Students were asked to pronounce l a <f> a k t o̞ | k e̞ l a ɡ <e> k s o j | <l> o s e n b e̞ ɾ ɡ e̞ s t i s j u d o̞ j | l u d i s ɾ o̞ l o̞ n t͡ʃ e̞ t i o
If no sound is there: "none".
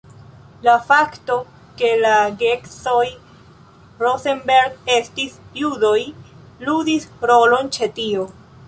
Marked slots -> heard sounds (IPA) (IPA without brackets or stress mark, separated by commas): f, e, ɾ